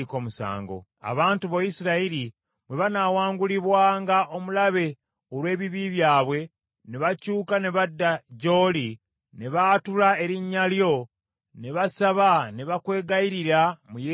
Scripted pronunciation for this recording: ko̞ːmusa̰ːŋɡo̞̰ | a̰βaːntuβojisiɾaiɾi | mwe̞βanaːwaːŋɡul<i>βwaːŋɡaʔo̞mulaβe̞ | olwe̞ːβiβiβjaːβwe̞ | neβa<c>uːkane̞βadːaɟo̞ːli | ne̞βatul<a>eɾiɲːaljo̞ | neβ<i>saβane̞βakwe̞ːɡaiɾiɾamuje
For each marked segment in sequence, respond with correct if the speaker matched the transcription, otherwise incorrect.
correct, correct, correct, incorrect

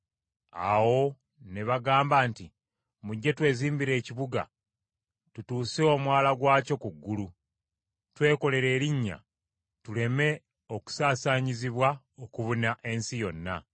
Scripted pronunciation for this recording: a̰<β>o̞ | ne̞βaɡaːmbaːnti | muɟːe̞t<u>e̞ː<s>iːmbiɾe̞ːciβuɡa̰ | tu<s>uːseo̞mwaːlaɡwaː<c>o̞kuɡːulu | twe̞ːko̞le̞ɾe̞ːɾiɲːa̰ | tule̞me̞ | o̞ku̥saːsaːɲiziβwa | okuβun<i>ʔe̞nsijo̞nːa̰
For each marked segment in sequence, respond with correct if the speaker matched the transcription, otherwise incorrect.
incorrect, incorrect, incorrect, incorrect, correct, incorrect

